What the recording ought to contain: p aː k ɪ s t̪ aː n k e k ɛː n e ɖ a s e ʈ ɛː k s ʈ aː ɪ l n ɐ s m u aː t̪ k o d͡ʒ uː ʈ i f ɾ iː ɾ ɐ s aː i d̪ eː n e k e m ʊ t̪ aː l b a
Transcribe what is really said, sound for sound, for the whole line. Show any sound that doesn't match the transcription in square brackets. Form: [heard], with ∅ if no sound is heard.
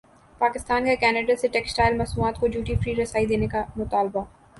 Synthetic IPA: p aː k ɪ s t̪ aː n k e k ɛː n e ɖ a s e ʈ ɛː k s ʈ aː ɪ l [m] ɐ s m u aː t̪ k o d͡ʒ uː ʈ i f ɾ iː ɾ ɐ s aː i d̪ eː n e k [a] m ʊ t̪ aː l b a

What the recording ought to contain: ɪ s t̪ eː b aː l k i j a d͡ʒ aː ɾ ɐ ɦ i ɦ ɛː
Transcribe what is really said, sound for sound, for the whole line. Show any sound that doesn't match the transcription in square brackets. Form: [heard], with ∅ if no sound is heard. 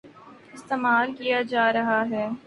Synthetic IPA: ɪ s t̪ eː [m] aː l k i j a d͡ʒ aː ɾ ɐ ɦ [a] ɦ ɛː

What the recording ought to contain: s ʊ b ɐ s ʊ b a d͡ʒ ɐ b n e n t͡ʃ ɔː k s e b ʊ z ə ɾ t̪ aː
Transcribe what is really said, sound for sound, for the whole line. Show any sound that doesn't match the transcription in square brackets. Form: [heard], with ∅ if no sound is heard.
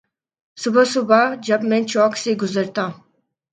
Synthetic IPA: s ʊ b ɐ s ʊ b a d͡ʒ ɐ b [m] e n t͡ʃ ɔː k s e [ɡ] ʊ z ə ɾ t̪ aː

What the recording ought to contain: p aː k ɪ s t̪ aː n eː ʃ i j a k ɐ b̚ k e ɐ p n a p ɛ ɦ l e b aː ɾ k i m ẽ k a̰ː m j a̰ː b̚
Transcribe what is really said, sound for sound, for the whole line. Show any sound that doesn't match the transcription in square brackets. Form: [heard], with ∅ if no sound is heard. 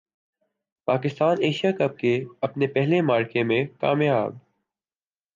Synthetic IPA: p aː k ɪ s t̪ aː n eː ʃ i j a k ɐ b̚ k e ɐ p n [e] p ɛ ɦ l e [m] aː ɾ k [e] m ẽ k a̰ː m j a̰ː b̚

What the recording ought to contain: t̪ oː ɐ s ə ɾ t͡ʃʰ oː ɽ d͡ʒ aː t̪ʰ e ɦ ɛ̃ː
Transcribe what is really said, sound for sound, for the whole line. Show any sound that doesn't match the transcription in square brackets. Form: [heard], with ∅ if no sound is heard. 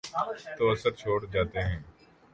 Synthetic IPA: t̪ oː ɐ s ə ɾ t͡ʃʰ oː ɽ d͡ʒ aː [t̪] e ɦ ɛ̃ː

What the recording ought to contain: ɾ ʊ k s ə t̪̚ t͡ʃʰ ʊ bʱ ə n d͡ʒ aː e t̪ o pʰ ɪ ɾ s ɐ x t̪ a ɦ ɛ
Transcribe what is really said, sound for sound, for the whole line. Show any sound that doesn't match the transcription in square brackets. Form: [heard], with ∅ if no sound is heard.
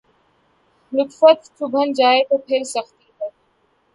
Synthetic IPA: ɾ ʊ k [f] ə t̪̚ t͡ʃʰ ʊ bʱ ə n d͡ʒ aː e t̪ o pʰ ɪ ɾ s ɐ x t̪ [i] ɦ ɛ

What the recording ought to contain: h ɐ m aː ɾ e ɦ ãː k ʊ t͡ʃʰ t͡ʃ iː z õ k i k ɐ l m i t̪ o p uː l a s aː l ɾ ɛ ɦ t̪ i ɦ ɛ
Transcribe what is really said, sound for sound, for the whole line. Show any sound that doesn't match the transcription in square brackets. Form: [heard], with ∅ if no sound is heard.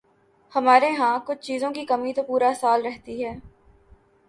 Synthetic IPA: h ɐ m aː ɾ e ɦ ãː k ʊ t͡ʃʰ t͡ʃ iː z õ k i k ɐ [∅] m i t̪ o p uː [ɾ] a s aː l ɾ ɛ ɦ t̪ i ɦ [ɛː]

